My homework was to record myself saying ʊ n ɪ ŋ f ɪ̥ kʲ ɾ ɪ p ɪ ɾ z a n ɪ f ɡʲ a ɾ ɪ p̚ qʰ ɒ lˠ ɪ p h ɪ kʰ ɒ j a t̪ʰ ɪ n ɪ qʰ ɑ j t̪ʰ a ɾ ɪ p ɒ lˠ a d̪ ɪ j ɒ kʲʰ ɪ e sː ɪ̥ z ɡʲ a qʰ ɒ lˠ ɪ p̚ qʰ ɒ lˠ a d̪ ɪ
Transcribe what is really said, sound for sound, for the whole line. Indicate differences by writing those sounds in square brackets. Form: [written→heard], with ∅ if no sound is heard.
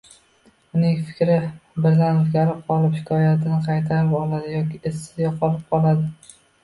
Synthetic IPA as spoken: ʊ n ɪ ŋ f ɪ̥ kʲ ɾ ɪ [p→b] ɪ ɾ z a n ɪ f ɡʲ a ɾ ɪ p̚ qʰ ɒ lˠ ɪ p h ɪ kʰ ɒ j a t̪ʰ ɪ n ɪ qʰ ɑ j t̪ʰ a ɾ ɪ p ɒ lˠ a d̪ ɪ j ɒ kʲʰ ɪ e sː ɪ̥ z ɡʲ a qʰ ɒ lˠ ɪ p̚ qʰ ɒ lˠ a d̪ ɪ